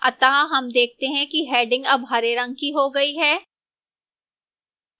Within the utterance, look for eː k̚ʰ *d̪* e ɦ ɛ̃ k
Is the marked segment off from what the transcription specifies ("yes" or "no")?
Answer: yes